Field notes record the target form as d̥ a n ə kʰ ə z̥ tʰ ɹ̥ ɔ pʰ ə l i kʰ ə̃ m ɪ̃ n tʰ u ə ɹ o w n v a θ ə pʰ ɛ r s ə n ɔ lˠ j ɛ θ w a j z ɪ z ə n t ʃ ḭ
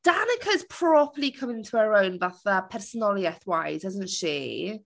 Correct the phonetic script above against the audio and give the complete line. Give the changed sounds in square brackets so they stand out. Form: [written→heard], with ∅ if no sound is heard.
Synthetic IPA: d̥ a n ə kʰ ə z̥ [tʰ→pʰ] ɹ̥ ɔ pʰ ə l i kʰ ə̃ m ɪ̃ n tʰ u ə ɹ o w n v a θ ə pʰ ɛ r s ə n ɔ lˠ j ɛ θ w a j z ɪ z ə n t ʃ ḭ